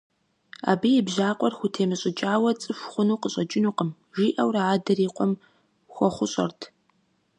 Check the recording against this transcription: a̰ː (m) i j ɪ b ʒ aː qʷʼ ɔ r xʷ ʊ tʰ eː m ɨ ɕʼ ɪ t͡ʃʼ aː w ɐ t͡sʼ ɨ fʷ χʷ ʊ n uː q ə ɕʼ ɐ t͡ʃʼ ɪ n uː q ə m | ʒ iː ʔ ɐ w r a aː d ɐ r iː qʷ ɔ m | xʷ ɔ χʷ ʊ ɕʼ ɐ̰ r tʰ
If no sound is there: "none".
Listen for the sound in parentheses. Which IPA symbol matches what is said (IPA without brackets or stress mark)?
b